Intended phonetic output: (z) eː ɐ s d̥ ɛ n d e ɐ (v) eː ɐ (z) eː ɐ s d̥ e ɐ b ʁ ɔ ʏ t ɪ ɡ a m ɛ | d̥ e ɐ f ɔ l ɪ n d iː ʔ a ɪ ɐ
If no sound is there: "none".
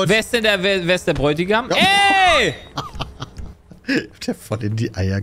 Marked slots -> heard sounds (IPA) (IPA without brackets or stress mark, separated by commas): v, v, v